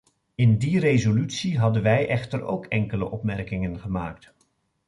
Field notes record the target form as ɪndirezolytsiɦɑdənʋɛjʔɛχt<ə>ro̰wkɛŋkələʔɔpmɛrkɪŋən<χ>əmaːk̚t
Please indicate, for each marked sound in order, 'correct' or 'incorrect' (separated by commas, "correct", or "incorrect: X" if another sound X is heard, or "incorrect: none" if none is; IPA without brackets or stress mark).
correct, correct